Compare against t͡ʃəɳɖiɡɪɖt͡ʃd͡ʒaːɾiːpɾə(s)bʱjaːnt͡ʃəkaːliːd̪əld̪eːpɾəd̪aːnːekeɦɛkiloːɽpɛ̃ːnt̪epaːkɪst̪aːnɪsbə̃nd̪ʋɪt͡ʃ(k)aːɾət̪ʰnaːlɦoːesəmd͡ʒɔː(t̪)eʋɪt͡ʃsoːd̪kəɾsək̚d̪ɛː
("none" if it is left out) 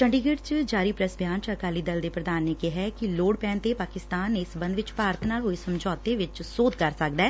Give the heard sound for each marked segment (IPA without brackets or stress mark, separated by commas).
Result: s, p, t̪